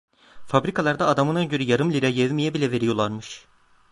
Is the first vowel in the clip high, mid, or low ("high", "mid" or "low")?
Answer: low